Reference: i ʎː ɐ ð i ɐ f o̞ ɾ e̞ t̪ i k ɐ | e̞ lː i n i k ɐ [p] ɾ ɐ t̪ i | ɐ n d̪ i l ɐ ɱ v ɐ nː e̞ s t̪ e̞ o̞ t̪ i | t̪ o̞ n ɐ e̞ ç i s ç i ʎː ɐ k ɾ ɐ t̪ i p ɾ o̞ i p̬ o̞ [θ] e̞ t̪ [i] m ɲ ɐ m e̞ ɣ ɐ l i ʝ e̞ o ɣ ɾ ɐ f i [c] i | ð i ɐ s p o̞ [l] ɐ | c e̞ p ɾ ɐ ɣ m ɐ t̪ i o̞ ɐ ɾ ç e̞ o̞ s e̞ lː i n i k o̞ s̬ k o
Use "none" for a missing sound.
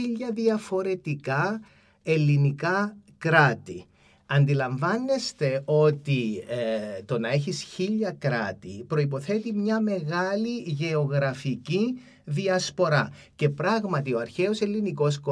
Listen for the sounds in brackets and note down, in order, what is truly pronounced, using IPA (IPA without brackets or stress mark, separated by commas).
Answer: k, θ, i, c, ɾ